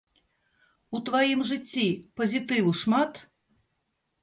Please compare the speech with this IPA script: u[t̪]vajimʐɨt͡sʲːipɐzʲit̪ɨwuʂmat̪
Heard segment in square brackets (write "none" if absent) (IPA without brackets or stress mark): t̪